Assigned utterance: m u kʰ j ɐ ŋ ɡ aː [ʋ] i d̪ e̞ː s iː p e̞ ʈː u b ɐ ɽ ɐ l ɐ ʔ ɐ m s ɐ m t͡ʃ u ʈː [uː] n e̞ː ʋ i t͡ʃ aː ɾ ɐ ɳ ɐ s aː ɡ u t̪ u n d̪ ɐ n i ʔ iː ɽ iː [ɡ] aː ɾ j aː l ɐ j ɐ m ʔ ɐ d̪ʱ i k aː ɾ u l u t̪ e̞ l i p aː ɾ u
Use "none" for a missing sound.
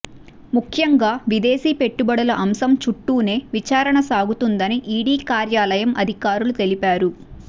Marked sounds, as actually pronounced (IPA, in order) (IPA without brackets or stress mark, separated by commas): ʋ, uː, k